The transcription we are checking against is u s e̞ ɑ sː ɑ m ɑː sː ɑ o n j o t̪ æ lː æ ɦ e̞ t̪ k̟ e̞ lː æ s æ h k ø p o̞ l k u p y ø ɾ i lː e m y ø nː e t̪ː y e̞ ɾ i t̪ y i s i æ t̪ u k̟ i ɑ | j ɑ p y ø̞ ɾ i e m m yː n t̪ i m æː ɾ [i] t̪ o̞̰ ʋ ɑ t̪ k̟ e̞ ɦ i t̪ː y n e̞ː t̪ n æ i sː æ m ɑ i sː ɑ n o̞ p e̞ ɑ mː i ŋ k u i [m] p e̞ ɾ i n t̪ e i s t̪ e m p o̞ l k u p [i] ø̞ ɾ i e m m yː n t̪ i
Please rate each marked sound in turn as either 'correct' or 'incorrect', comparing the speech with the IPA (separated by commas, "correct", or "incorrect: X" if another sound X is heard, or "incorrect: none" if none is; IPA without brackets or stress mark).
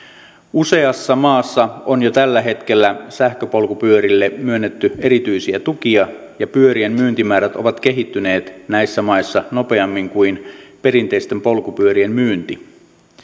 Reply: incorrect: æ, incorrect: n, incorrect: y